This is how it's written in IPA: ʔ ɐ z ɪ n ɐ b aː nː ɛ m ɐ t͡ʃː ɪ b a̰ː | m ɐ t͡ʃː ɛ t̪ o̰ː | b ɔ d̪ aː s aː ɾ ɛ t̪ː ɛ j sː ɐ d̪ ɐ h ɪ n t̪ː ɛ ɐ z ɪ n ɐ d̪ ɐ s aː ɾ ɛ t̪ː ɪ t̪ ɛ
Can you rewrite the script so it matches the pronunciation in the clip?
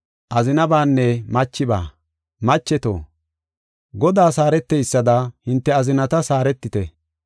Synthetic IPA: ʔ ɐ z ɪ n ɐ b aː nː ɛ m ɐ t͡ʃː ɪ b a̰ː | m ɐ t͡ʃː ɛ t̪ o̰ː | ɡ ɔ d̪ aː s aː ɾ ɛ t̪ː ɛ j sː ɐ d̪ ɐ h ɪ n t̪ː ɛ ɐ z ɪ n ɐ t̪ ɐ s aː ɾ ɛ t̪ː ɪ t̪ ɛ